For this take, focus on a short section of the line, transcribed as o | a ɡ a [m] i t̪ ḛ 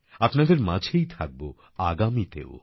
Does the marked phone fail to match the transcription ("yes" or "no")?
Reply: no